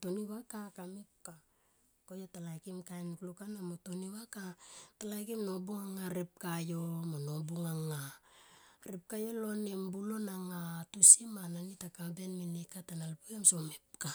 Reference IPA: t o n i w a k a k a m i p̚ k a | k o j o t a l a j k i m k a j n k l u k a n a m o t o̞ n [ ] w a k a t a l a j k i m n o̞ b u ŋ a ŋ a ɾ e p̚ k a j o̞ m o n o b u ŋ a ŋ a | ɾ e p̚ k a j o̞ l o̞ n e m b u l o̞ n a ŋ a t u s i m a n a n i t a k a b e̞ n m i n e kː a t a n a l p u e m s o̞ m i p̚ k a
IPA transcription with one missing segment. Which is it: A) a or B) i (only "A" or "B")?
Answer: B